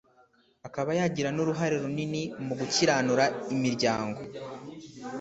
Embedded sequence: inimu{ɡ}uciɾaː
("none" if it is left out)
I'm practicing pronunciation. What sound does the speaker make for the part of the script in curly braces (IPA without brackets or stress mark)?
ɡ